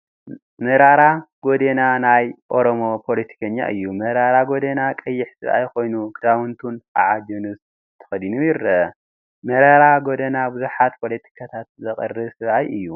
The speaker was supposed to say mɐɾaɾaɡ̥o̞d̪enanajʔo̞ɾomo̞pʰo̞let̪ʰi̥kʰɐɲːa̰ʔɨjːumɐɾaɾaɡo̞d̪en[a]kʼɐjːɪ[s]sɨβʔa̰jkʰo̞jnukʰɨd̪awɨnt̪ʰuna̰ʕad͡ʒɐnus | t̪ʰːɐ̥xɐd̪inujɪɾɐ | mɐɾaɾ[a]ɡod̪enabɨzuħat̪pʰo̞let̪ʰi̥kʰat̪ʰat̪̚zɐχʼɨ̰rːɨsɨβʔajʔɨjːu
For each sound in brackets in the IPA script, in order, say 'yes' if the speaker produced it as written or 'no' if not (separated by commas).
yes, no, yes